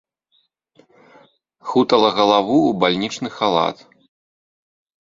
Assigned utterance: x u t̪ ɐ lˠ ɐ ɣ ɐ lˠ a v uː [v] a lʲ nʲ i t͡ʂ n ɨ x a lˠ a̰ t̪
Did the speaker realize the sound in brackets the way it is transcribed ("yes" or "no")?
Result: no